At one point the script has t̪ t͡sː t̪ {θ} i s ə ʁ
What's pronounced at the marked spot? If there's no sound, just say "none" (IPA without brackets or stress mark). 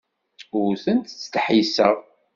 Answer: ħ